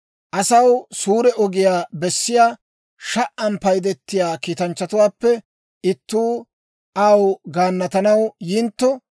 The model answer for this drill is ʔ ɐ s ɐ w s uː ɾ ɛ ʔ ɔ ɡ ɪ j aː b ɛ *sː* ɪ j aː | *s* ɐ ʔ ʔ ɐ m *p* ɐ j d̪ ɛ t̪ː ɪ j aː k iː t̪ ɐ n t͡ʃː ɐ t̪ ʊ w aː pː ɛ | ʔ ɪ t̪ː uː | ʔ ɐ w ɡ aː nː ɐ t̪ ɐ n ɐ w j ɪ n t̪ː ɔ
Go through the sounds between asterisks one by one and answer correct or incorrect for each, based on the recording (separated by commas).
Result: correct, incorrect, correct